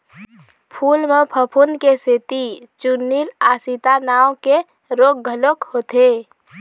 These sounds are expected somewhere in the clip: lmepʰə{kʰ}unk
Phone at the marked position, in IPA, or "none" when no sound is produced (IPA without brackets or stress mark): pʰ